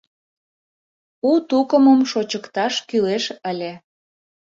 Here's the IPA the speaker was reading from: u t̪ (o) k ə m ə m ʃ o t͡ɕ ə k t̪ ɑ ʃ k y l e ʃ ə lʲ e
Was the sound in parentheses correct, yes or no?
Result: no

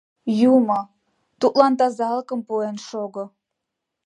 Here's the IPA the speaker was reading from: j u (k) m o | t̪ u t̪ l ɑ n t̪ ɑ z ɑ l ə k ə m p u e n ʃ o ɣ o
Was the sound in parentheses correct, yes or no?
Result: no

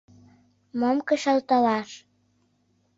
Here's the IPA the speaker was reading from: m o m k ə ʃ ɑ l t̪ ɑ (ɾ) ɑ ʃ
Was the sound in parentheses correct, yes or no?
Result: no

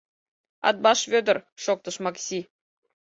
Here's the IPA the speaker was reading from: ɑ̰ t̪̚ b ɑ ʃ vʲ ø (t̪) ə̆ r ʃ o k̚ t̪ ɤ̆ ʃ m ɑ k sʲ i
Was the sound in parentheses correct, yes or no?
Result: no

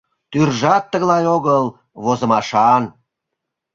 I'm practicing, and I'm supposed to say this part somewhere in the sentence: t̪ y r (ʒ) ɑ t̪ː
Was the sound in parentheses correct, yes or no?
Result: yes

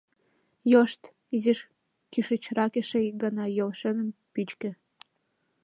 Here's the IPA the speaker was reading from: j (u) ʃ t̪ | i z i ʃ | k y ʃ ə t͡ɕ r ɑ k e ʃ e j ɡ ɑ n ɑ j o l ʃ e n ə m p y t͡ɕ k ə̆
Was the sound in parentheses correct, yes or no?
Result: no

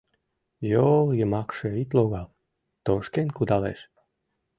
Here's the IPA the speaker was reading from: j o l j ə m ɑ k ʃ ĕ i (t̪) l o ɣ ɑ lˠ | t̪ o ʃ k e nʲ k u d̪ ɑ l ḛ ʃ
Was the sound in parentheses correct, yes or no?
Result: yes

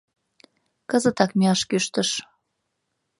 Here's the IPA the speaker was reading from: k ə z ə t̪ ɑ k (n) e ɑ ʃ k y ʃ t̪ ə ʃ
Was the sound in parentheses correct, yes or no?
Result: no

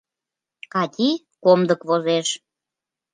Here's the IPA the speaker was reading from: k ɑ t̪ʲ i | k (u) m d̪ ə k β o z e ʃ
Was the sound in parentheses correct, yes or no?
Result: no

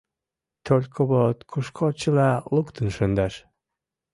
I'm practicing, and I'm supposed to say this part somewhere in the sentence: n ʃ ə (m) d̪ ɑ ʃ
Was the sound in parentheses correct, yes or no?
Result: no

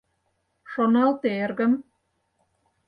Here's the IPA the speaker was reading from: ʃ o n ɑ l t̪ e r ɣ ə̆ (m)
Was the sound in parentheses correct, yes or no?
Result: yes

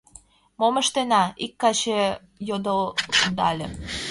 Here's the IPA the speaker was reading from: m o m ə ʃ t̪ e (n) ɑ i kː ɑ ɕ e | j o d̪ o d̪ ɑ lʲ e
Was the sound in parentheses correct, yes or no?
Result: yes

